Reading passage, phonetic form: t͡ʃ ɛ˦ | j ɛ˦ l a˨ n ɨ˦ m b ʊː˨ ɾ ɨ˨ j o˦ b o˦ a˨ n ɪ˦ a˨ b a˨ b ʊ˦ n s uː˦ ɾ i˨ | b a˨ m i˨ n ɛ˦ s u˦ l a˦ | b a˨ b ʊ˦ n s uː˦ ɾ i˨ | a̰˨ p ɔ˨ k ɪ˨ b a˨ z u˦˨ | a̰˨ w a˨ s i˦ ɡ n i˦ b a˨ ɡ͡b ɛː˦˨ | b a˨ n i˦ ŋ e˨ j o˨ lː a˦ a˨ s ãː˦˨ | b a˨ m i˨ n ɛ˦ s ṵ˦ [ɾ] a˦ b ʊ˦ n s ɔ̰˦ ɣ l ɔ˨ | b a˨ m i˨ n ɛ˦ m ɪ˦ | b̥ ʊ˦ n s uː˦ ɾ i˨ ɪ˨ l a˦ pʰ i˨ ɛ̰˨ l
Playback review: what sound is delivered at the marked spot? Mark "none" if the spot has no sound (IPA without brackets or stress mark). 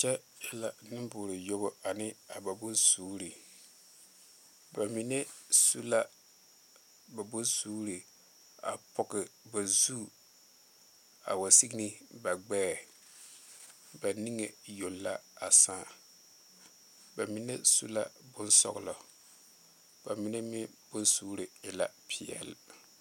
l